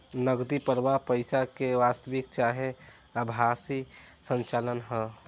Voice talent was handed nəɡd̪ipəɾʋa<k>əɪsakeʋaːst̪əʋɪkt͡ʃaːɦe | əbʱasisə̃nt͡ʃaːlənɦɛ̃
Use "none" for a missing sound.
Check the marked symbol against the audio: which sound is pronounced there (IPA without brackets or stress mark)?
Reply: p